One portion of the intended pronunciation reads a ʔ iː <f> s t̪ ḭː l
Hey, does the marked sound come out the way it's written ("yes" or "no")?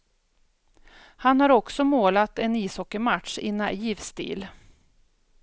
no